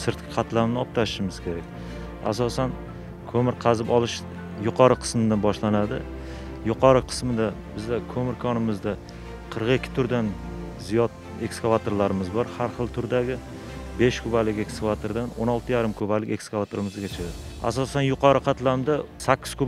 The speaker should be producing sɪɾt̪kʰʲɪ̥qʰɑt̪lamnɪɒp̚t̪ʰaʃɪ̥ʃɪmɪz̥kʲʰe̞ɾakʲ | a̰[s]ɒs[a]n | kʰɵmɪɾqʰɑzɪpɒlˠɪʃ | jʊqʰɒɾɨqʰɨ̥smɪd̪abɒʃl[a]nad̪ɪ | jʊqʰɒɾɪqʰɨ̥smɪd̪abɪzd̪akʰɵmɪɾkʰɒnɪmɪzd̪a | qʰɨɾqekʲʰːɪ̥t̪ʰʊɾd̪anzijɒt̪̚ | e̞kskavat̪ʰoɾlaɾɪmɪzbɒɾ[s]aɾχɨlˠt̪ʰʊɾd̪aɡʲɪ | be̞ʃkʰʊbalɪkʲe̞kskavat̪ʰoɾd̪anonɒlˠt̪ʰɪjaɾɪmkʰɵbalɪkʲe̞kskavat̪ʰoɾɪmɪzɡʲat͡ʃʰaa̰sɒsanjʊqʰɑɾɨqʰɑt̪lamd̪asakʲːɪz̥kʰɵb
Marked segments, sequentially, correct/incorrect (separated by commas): correct, correct, correct, incorrect